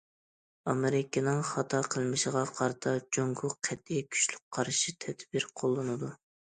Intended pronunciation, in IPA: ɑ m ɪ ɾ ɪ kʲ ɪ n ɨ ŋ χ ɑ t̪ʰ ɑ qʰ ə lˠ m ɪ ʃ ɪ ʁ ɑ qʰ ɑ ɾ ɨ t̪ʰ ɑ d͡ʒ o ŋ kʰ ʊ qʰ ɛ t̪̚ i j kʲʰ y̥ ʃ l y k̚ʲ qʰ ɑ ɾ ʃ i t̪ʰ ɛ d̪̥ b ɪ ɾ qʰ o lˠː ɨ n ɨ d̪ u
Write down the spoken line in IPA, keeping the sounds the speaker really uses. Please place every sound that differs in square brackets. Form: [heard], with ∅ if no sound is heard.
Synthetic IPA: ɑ m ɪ ɾ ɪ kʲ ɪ n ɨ ŋ χ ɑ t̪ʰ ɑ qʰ ə lˠ m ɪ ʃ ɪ ʁ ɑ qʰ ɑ ɾ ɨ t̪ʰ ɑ d͡ʒ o ŋ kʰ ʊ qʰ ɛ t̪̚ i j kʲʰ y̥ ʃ l y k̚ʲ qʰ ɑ ɾ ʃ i t̪ʰ ɛ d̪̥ b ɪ ɾ qʰ o lˠː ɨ n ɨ d̪ u